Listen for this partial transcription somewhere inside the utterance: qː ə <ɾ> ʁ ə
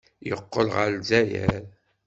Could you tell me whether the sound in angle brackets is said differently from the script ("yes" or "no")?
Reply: yes